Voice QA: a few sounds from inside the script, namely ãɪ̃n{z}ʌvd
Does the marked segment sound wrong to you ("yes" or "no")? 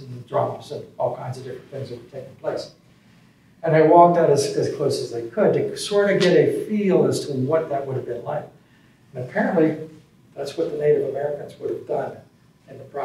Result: no